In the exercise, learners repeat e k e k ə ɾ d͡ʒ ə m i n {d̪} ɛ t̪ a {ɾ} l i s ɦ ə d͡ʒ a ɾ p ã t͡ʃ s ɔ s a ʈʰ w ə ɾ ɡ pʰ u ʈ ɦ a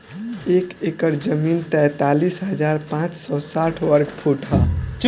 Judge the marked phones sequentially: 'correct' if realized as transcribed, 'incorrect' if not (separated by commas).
incorrect, incorrect